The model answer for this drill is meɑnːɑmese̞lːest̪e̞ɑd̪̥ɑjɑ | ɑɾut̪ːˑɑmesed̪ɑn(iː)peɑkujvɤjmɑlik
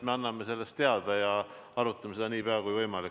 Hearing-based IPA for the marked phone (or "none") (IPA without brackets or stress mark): iː